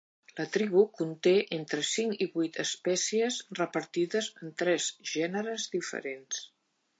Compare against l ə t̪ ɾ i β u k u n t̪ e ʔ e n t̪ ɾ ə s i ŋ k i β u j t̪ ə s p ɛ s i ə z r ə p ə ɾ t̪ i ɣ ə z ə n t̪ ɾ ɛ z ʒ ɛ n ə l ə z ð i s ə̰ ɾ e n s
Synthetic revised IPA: l ə t̪ ɾ i β u k u n t̪ e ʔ e n t̪ ɾ ə s i ŋ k i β u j t̪ ə s p ɛ s i ə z r ə p ə ɾ t̪ i ð ə z ə n t̪ ɾ ɛ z ʒ ɛ n ə ɾ ə z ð i f ə̰ ɾ e n s